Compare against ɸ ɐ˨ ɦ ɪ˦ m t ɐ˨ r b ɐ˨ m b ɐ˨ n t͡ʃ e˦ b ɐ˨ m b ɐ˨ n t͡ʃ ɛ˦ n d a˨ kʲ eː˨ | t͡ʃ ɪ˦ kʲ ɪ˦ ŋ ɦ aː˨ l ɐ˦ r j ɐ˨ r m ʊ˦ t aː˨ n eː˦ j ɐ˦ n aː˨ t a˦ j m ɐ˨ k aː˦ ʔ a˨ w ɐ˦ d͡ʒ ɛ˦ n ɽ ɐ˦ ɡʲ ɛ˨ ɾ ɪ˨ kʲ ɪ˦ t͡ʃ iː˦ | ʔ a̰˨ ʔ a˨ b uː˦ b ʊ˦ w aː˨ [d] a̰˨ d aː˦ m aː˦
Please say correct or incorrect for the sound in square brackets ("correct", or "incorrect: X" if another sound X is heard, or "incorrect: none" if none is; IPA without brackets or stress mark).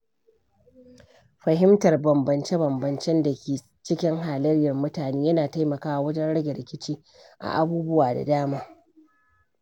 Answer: correct